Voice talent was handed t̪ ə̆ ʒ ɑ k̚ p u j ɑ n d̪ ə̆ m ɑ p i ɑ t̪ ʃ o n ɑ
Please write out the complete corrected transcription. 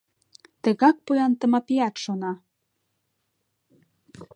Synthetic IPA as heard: t̪ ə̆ ɣ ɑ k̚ p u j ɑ n t̪ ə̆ m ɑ p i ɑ t̪ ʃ o n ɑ